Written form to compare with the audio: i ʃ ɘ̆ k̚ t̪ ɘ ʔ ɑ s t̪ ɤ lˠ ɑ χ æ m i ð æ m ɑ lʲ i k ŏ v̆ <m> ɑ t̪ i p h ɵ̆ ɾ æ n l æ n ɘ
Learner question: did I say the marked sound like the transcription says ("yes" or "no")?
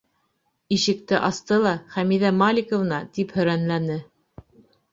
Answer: no